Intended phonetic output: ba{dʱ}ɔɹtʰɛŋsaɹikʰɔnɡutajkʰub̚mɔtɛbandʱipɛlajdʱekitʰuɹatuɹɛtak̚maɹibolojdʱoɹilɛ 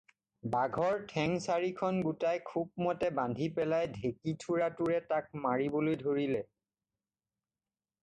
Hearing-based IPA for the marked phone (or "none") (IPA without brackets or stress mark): ɡʱ